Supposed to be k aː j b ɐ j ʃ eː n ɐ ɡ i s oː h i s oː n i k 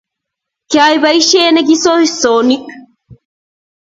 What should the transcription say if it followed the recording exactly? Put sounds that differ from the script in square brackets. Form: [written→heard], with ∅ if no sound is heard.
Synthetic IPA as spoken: k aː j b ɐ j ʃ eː n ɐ ɡ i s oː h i s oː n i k